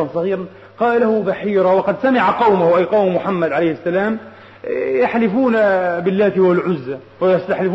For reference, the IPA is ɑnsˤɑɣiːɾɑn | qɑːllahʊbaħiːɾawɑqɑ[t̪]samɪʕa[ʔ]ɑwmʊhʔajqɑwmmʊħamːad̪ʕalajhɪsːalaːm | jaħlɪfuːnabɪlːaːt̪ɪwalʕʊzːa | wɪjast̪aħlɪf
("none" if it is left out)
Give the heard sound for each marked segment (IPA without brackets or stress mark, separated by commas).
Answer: d̪, q